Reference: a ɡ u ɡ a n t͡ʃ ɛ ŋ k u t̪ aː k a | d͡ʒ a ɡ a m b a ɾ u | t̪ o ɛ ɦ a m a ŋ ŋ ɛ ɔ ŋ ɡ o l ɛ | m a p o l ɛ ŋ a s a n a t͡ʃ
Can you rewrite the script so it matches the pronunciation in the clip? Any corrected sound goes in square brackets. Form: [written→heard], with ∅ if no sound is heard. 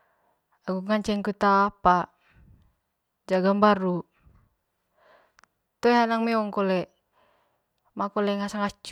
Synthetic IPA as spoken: a ɡ u [ɡ→ŋ] a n t͡ʃ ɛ ŋ k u t̪ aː [k→p] a | d͡ʒ a ɡ a m b a ɾ u | t̪ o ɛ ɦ a [m→n] a ŋ [ŋ→m] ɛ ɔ ŋ [ɡ→k] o l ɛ | m a [p→k] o l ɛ ŋ a s a [n→ŋ] a t͡ʃ